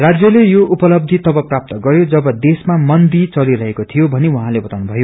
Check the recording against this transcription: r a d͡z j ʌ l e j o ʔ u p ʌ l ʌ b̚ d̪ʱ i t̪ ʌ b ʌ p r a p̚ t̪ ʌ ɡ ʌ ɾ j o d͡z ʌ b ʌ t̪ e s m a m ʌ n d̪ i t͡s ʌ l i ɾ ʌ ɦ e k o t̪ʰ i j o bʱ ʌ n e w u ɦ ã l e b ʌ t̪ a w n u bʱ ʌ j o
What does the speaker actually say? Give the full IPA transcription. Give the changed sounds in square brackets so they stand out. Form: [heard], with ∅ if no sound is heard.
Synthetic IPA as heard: r a d͡z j ʌ l e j o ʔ u p ʌ l ʌ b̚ d̪ʱ i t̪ ʌ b ʌ p r a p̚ t̪ ʌ ɡ ʌ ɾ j o d͡z ʌ b ʌ [d̪] e s m a m ʌ n d̪ i t͡s ʌ l i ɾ ʌ ɦ e k o t̪ʰ i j o bʱ ʌ n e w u ɦ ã l e b ʌ t̪ a w n u bʱ ʌ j o